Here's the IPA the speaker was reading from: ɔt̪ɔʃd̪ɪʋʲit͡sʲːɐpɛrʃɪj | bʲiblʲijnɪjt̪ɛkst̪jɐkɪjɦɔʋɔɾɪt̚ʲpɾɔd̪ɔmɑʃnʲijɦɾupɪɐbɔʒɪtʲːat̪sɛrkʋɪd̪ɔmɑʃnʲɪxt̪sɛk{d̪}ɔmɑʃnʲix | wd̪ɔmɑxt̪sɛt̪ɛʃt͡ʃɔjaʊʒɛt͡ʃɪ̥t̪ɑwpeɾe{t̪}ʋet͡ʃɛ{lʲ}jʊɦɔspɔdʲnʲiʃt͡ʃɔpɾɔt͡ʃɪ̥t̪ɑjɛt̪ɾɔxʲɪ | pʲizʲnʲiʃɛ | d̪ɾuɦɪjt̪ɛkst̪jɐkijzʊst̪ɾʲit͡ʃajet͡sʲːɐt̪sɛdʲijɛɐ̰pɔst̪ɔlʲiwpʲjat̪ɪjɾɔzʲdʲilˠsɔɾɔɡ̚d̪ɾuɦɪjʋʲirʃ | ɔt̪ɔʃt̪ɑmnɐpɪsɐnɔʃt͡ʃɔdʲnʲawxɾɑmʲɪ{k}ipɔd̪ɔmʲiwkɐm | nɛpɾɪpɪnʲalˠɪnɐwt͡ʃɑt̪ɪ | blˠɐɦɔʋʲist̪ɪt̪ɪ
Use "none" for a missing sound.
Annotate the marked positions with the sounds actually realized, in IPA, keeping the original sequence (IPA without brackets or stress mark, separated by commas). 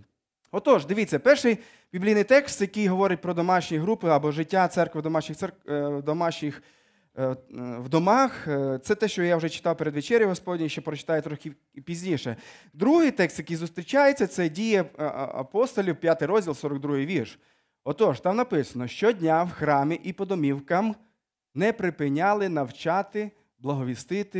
d̪, d̪, ɾʲ, ʔ